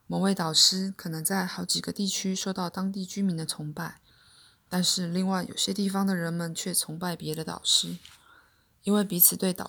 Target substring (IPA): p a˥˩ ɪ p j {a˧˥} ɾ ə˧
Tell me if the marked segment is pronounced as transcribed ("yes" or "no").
no